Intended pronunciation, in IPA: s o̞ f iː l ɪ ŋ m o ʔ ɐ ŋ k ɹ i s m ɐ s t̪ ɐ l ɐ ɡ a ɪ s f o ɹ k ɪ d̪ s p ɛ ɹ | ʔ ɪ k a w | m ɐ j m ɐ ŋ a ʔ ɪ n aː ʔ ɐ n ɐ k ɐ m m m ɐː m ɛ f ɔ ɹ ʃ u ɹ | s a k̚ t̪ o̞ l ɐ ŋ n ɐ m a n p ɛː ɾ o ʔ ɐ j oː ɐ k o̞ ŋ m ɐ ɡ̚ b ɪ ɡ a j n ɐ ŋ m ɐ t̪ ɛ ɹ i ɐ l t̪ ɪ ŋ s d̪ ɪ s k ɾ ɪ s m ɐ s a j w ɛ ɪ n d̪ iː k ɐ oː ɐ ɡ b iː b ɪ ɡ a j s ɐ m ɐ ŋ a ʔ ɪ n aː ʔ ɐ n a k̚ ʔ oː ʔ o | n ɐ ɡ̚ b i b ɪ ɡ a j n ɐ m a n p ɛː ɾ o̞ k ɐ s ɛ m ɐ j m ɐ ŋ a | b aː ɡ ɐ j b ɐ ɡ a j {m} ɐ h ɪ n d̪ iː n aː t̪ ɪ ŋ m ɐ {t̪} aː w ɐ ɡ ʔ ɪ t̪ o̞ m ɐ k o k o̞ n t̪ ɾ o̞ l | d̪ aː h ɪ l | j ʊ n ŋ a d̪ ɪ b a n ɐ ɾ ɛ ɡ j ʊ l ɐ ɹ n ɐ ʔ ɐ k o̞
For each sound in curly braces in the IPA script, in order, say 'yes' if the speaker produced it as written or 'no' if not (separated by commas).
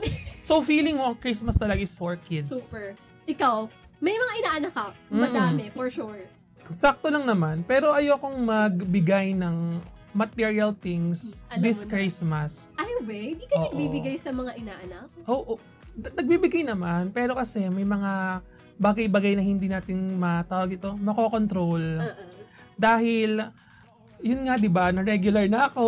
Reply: no, yes